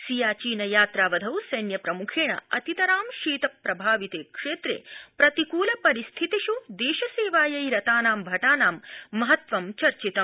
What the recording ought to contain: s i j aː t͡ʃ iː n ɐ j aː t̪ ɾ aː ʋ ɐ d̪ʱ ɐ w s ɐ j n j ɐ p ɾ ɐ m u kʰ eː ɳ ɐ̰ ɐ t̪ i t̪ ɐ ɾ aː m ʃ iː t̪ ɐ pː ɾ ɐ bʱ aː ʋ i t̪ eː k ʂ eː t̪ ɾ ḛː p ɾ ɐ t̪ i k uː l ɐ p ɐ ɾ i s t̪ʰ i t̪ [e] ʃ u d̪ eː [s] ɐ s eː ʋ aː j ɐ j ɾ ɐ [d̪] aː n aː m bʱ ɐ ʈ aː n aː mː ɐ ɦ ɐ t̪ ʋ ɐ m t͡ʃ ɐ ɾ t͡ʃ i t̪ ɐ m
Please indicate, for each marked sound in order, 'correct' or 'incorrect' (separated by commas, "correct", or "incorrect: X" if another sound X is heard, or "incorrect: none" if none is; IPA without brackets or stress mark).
incorrect: i, incorrect: ʃ, incorrect: t̪